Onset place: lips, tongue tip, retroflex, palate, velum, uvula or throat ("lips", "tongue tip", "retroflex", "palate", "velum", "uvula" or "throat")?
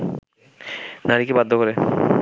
tongue tip